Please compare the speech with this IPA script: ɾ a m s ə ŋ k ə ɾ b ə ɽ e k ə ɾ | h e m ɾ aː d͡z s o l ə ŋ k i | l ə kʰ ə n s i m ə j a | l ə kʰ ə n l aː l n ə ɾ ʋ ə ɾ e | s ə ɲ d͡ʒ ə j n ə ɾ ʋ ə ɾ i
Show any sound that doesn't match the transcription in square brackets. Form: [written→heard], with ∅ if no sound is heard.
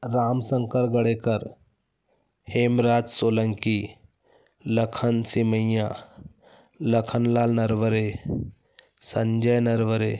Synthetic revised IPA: ɾ a m s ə ŋ k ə ɾ [b→ɡ] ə ɽ e k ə ɾ | h e m ɾ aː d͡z s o l ə ŋ k i | l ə kʰ ə n s i m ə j a | l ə kʰ ə n l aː l n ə ɾ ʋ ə ɾ e | s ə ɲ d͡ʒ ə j n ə ɾ ʋ ə ɾ [i→e]

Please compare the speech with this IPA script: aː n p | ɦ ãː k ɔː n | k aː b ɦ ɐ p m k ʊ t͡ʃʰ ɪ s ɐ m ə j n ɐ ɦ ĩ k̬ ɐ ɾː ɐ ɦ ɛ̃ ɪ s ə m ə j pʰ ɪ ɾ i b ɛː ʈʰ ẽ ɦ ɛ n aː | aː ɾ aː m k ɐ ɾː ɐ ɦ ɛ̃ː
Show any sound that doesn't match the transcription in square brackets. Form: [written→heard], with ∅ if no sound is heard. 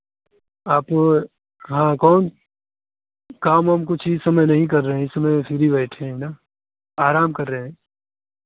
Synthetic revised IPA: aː [n→∅] p | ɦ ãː k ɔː n | k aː [b→m] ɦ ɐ [p→∅] m k ʊ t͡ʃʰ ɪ s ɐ m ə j n ɐ ɦ ĩ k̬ ɐ ɾː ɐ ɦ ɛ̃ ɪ s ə m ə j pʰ ɪ ɾ i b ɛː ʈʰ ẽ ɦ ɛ n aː | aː ɾ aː m k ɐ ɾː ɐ ɦ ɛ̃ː

